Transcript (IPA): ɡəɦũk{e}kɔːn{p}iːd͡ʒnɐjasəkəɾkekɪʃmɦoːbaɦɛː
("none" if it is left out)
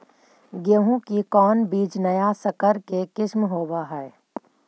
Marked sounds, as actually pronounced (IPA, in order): i, b

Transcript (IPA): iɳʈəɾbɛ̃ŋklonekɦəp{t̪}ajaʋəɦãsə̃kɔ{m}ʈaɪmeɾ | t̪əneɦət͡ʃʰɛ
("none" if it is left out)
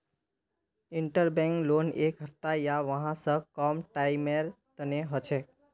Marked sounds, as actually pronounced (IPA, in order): t̪, m

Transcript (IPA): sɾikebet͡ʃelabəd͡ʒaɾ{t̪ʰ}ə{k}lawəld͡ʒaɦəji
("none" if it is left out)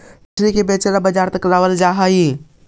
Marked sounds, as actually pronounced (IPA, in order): t̪, k

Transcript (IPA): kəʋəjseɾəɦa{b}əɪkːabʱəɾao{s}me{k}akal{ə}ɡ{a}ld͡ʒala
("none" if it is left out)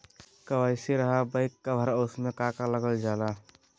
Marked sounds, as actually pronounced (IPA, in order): b, s, k, ə, ə

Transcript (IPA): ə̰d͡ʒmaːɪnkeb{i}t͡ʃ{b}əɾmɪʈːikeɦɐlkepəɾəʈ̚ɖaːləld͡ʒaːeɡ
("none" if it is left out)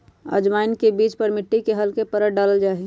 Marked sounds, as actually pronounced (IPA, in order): iː, p

